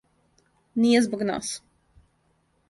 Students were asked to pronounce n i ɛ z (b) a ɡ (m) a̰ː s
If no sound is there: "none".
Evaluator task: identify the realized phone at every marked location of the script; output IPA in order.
b, n

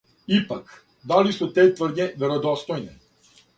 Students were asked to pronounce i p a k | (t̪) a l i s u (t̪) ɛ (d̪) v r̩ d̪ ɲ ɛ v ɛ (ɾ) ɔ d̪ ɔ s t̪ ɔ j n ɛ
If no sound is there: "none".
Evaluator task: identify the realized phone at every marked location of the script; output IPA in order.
d̪, t̪, t̪, ɾ

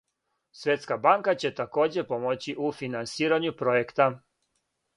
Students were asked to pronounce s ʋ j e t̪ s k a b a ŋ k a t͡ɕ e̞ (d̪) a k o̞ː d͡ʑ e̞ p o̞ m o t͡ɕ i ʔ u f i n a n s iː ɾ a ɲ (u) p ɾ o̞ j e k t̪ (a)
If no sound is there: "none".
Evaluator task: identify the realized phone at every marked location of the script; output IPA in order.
t̪, u, a

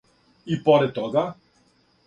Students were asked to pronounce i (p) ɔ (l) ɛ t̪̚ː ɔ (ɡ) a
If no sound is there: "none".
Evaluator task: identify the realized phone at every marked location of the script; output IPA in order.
p, ɾ, ɡ

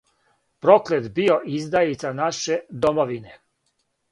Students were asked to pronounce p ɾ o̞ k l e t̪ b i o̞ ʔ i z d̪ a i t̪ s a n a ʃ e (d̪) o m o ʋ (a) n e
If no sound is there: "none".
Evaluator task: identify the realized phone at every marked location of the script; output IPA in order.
d̪, i

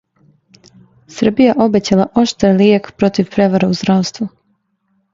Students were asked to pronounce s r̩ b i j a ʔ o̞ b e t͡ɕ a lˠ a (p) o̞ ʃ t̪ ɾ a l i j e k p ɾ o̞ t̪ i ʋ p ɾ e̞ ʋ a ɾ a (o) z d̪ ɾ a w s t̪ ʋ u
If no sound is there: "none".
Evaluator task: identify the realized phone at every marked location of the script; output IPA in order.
ʔ, u

